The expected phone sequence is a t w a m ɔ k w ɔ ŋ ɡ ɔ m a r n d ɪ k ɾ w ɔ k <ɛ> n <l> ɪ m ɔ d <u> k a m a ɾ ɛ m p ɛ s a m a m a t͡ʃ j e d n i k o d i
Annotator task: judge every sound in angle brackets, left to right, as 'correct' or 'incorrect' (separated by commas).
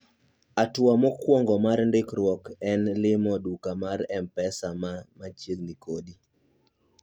correct, correct, correct